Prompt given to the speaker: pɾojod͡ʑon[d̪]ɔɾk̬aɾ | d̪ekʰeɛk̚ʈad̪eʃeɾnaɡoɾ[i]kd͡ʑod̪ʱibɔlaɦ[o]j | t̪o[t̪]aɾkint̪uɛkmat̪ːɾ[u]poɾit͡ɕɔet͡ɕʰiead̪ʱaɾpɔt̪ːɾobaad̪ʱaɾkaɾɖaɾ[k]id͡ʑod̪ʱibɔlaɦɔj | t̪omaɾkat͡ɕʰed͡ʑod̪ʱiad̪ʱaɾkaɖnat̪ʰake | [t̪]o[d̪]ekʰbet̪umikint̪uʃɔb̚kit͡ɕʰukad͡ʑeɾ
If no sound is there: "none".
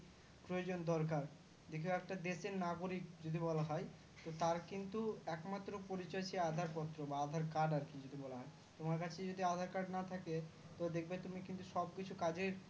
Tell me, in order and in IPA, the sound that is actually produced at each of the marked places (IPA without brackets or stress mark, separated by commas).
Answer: d̪, i, ɔ, t̪, o, k, t̪, d̪